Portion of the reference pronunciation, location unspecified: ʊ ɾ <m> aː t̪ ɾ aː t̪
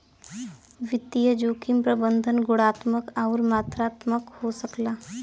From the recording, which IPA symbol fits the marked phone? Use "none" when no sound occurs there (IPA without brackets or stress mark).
m